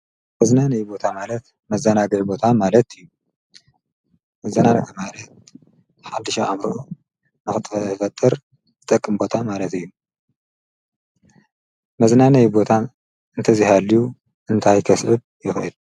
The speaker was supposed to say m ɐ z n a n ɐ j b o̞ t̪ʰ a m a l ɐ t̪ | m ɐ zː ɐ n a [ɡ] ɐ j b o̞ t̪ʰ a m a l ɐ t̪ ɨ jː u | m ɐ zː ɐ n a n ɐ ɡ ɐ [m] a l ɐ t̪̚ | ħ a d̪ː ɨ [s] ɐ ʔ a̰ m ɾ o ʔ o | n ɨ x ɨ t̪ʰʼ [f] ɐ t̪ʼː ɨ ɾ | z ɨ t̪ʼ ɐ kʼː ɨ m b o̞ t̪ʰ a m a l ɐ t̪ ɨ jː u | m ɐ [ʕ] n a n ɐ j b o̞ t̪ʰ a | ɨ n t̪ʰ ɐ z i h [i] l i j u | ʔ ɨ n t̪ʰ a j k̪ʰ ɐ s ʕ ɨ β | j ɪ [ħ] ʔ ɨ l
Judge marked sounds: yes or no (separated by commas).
yes, yes, no, yes, no, no, no